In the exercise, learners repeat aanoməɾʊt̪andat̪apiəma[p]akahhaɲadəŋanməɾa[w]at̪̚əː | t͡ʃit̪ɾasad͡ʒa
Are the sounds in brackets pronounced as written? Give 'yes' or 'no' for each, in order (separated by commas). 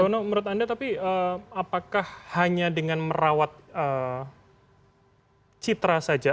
yes, yes